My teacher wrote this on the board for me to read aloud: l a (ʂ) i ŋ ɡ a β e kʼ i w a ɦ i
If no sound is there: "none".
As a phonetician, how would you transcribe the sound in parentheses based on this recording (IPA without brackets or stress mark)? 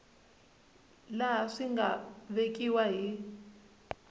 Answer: ʂ